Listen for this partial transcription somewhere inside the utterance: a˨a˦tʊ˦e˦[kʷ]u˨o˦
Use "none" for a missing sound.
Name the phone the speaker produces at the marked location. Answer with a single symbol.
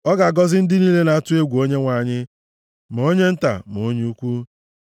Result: ɡʷ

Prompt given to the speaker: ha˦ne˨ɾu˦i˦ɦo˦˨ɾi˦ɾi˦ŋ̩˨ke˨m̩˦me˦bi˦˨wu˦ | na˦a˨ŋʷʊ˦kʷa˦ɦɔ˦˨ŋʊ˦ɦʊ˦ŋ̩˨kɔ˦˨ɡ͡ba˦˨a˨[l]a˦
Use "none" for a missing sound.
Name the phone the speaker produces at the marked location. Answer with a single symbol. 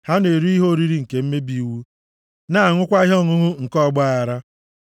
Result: ɾ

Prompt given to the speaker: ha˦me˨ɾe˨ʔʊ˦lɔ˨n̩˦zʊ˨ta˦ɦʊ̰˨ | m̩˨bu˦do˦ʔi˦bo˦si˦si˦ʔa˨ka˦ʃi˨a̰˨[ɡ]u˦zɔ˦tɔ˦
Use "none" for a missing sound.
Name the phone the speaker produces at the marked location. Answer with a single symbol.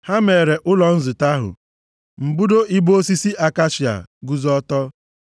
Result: ɡ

